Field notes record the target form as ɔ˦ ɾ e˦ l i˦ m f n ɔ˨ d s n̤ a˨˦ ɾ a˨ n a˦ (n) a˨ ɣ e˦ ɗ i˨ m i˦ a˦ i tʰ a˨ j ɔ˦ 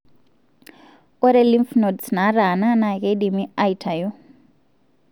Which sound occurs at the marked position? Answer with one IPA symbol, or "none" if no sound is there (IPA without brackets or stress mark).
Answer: n